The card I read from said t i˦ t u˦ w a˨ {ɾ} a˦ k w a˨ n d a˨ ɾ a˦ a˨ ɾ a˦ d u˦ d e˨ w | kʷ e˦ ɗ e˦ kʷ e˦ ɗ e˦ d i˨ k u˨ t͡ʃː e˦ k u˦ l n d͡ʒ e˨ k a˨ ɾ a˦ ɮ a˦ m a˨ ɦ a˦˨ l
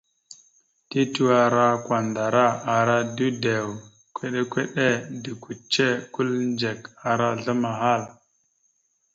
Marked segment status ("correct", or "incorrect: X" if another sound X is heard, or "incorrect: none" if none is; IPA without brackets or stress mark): correct